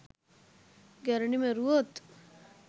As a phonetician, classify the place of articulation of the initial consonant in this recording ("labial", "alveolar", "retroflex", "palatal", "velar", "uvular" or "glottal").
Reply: velar